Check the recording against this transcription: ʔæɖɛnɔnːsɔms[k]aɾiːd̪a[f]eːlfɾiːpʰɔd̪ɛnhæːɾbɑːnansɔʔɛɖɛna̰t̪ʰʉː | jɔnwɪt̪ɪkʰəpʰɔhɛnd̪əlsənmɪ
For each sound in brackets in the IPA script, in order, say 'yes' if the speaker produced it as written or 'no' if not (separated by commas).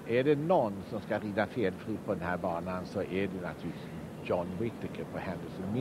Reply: yes, yes